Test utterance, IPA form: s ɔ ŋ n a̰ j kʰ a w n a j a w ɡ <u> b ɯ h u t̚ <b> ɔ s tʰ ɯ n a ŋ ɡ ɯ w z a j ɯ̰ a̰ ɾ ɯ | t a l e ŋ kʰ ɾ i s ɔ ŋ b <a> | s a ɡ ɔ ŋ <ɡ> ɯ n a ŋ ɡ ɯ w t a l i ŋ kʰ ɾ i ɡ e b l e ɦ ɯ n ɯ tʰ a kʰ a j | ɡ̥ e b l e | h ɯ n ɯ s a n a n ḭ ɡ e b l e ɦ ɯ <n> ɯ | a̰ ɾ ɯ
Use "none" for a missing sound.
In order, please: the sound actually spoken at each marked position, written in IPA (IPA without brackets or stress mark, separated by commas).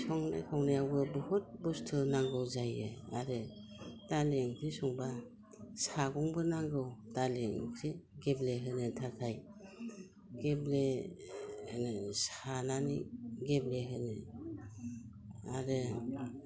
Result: ɯ, b, a, b, n